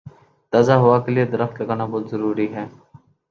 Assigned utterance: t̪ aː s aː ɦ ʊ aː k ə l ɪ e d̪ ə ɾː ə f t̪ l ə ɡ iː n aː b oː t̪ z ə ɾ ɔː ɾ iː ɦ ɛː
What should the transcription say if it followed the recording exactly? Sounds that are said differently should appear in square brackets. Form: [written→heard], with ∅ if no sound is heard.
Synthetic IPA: t̪ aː [s→z] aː ɦ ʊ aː k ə l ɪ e d̪ ə [ɾː→ɾ] ə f t̪ l ə ɡ [iː→aː] n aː b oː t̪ z ə ɾ [ɔː→uː] ɾ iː ɦ ɛː